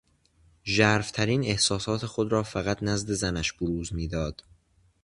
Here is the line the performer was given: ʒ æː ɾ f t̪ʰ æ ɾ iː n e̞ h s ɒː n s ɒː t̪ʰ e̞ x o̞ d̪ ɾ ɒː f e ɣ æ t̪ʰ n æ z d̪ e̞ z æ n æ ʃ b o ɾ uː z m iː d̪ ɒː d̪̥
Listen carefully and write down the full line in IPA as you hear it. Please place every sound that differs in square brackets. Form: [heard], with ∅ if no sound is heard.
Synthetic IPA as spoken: ʒ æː ɾ f t̪ʰ æ ɾ iː n e̞ h s ɒː [∅] s ɒː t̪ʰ e̞ x o̞ d̪ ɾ ɒː f [æ] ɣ æ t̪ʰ n æ z d̪ e̞ z æ n æ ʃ b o ɾ uː z m iː d̪ ɒː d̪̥